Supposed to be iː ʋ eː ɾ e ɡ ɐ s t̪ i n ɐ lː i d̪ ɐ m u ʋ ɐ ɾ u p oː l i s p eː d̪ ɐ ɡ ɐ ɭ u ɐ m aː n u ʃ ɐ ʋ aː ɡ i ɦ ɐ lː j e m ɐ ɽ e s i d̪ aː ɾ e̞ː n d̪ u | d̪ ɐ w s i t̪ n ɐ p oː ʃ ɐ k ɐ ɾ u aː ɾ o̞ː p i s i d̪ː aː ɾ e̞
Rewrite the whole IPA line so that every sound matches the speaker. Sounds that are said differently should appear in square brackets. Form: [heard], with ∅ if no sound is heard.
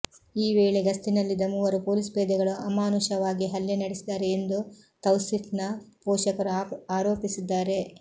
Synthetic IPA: iː ʋ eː [ɭ] e ɡ ɐ s t̪ i n ɐ lː i d̪ ɐ m u ʋ ɐ ɾ u p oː l i s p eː d̪ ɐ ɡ ɐ ɭ u ɐ m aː n u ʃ ɐ ʋ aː ɡ i ɦ ɐ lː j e [n] ɐ ɽ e s i d̪ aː ɾ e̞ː n d̪ u | [t̪] ɐ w s i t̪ n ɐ p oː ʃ ɐ k ɐ ɾ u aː ɾ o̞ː p i s i d̪ː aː ɾ e̞

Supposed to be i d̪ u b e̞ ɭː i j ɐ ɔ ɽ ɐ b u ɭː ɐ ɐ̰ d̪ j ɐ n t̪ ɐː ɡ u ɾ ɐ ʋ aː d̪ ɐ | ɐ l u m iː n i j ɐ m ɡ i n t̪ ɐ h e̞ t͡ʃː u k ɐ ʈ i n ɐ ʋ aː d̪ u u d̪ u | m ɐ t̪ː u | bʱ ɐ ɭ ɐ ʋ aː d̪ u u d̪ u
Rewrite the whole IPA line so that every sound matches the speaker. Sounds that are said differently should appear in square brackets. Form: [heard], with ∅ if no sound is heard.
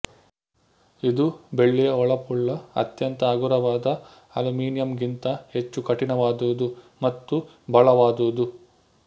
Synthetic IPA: i d̪ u b e̞ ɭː i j ɐ ɔ [ɭ] ɐ [p] u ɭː ɐ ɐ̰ [t̪] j ɐ n t̪ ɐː ɡ u ɾ ɐ ʋ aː d̪ ɐ | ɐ l u m iː n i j ɐ m ɡ i n t̪ ɐ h e̞ t͡ʃː u k ɐ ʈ i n ɐ ʋ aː d̪ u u d̪ u | m ɐ t̪ː u | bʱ ɐ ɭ ɐ ʋ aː d̪ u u d̪ u

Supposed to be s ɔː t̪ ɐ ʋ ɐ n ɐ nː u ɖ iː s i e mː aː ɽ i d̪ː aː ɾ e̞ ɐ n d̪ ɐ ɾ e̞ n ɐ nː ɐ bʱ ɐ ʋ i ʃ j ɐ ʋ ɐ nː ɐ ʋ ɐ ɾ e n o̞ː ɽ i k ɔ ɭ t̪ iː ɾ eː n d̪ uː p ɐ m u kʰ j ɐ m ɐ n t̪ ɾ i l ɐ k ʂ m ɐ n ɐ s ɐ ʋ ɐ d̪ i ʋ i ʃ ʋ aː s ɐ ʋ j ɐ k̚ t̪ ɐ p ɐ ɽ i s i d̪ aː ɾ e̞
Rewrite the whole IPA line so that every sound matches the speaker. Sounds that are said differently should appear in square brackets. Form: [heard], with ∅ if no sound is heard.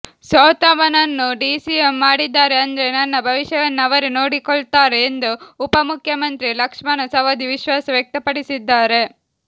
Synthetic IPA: s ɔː t̪ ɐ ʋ ɐ n ɐ nː u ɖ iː s i e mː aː ɽ i d̪ː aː ɾ e̞ ɐ n d̪ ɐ ɾ e̞ n ɐ nː ɐ bʱ ɐ ʋ i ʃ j ɐ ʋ ɐ nː ɐ ʋ ɐ ɾ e n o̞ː ɽ i k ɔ ɭ t̪ [aː] ɾ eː n d̪ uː p ɐ m u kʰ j ɐ m ɐ n t̪ ɾ i l ɐ k ʂ m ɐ n ɐ s ɐ ʋ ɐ d̪ i ʋ i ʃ ʋ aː s ɐ ʋ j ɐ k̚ t̪ ɐ p ɐ ɽ i s i [d̪ː] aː ɾ e̞

